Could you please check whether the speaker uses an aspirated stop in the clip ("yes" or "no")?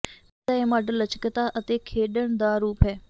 yes